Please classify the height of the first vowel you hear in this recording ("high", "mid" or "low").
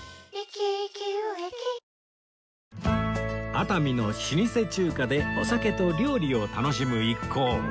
low